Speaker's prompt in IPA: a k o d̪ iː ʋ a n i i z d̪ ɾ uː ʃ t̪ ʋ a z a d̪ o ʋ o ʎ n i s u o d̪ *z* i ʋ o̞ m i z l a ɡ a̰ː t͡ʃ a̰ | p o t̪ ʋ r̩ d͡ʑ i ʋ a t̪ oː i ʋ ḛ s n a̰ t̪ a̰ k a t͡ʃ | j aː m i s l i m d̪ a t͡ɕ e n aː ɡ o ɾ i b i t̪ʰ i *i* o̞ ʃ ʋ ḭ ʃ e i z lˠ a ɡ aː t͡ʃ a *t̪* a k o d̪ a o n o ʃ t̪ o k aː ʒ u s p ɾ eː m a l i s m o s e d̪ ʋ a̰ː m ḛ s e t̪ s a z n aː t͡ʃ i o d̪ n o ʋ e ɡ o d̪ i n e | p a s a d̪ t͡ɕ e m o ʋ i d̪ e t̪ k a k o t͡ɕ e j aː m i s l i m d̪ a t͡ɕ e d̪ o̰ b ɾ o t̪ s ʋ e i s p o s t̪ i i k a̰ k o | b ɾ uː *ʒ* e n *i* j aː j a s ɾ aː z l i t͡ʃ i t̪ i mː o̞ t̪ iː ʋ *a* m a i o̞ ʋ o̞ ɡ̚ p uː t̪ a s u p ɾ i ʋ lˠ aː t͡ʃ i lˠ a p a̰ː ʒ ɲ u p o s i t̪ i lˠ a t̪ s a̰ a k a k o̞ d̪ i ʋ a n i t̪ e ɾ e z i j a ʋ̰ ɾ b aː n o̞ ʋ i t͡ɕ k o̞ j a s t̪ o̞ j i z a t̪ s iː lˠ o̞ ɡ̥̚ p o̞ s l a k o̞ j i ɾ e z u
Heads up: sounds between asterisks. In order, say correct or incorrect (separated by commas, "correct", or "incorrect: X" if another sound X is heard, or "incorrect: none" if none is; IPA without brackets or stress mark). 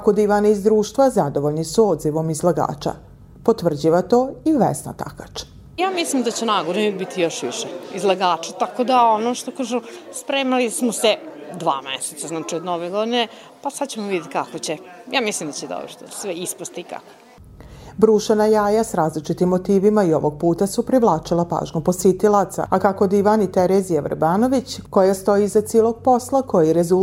correct, incorrect: j, correct, incorrect: ʃ, incorrect: a, incorrect: i